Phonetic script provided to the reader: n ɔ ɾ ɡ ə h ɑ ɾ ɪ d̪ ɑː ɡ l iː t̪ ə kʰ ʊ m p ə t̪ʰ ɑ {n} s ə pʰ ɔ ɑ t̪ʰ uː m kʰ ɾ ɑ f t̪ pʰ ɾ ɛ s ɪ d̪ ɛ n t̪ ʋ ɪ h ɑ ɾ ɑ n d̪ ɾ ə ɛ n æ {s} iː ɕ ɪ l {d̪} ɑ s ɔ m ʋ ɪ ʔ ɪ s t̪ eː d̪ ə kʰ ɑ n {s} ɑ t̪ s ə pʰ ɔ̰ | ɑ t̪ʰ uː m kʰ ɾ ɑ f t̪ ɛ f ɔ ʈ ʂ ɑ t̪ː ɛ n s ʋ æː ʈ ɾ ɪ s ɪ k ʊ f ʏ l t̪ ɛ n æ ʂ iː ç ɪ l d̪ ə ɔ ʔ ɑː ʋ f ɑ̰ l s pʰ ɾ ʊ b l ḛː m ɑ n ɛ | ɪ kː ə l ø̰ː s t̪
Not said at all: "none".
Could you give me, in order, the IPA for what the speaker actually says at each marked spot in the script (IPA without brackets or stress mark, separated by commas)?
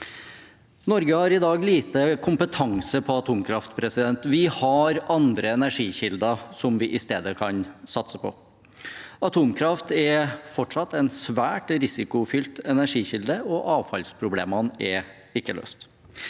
ŋ, ʂ, d̪, s